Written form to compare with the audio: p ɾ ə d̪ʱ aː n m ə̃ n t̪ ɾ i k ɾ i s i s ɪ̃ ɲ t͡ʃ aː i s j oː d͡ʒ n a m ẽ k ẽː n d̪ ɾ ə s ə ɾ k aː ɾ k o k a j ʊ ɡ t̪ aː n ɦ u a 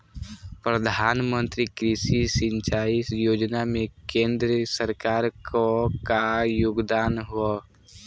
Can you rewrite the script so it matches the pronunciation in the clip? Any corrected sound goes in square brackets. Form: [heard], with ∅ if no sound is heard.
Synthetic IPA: p ɾ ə d̪ʱ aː n m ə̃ n t̪ ɾ i k ɾ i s i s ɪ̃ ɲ t͡ʃ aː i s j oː d͡ʒ n a m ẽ k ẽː n d̪ ɾ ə s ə ɾ k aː ɾ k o k a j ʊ ɡ [d̪] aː n ɦ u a